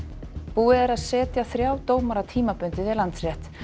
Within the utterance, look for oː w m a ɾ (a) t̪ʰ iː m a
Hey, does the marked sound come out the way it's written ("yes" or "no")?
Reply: yes